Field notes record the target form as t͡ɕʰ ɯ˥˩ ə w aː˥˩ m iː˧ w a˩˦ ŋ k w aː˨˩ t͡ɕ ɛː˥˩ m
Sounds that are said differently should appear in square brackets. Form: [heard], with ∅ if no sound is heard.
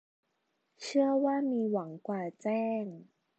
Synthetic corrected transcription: t͡ɕʰ ɯ˥˩ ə w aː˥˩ m iː˧ w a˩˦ ŋ k w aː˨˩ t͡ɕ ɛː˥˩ [ŋ]